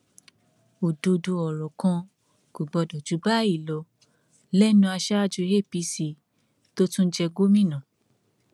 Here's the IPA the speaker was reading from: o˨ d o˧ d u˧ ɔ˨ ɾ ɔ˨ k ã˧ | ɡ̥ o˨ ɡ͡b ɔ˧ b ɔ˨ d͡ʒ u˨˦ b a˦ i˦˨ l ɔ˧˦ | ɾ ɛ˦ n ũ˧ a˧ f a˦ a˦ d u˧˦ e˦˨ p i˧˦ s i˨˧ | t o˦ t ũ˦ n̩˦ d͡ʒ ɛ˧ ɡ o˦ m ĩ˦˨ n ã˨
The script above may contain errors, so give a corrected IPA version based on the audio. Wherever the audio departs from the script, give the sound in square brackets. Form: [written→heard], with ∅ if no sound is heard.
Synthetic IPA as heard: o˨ d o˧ d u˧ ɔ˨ ɾ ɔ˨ k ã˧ | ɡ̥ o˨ ɡ͡b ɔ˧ [b→d] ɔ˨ d͡ʒ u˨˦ b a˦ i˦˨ l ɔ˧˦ | [ɾ→l] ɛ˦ n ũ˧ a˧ [f→ʃ] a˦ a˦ [d→d͡ʒ] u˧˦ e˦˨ p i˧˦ s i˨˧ | t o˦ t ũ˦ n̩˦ d͡ʒ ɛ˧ ɡ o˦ m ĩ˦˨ n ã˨